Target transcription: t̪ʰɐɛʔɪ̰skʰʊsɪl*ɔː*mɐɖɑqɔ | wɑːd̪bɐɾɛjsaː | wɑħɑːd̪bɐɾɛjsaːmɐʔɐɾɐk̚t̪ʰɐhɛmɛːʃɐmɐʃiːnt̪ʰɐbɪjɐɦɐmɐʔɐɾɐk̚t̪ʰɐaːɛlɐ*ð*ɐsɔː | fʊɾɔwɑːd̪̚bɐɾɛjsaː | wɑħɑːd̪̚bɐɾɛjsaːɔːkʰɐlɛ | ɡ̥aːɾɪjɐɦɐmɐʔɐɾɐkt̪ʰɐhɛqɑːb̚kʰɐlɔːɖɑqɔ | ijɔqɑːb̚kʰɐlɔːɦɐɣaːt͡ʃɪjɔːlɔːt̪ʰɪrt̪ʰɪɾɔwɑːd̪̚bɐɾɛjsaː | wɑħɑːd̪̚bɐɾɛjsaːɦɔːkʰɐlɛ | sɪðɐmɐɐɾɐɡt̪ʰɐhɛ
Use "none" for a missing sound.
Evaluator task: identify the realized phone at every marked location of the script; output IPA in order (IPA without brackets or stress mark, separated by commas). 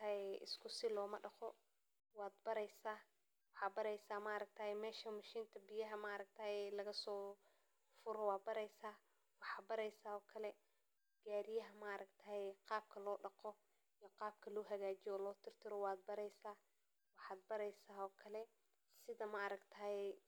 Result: ɔː, ɣ